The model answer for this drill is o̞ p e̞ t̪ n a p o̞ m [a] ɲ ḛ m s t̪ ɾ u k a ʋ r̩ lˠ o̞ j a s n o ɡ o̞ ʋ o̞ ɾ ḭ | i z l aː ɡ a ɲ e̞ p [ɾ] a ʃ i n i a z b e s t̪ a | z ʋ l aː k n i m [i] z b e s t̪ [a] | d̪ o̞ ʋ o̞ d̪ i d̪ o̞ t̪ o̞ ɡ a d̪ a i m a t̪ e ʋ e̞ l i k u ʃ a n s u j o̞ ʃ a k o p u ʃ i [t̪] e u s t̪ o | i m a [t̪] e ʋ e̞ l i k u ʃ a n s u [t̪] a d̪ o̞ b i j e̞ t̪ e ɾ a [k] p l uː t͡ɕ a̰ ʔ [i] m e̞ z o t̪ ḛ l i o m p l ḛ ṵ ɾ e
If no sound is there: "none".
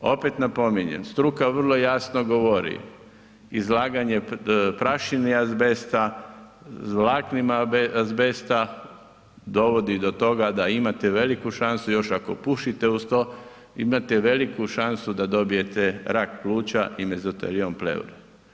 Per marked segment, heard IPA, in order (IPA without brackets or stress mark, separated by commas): i, ɾ, a, a, t̪, t̪, d̪, k, i